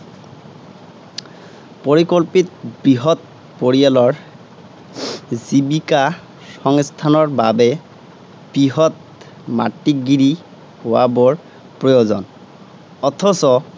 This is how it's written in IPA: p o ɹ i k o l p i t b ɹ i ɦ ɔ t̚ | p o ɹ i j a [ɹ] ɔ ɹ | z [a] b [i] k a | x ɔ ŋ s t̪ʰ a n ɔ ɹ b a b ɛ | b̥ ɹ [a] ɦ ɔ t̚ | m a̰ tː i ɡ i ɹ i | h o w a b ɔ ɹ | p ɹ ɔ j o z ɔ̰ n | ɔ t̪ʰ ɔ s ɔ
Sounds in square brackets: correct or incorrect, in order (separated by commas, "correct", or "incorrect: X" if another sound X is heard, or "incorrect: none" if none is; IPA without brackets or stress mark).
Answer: incorrect: l, incorrect: i, correct, incorrect: i